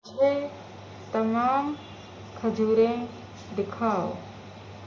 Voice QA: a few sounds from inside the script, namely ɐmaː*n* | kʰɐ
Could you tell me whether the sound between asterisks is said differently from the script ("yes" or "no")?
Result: yes